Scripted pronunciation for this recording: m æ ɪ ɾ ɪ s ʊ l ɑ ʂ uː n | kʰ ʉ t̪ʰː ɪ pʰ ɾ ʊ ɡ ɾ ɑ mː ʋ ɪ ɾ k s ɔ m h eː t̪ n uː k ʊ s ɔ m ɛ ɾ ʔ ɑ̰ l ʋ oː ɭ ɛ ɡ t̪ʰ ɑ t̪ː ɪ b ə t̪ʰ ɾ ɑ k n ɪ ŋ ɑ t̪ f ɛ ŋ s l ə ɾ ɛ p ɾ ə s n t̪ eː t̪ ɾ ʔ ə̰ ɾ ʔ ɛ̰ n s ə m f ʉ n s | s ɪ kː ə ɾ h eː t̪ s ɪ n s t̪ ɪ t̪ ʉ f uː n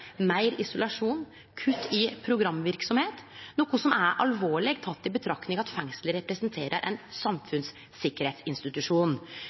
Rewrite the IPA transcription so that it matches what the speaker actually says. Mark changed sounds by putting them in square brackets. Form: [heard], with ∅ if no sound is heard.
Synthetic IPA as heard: m æ ɪ ɾ ɪ s ʊ l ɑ ʂ uː n | kʰ ʉ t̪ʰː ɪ pʰ ɾ ʊ ɡ ɾ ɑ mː ʋ ɪ ɾ k s ɔ m h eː t̪ n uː k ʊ s ɔ m [æ] ɾ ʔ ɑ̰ l ʋ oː ɭ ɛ ɡ t̪ʰ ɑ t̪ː ɪ b ə t̪ʰ ɾ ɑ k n ɪ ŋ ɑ t̪ f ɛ ŋ s l ə ɾ ɛ p ɾ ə s n [t̪ʰ] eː [∅] ɾ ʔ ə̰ ɾ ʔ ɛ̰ n s [ɑ] m f ʉ n s | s ɪ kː ə ɾ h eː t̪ s ɪ n s t̪ ɪ t̪ ʉ [ʂ] uː n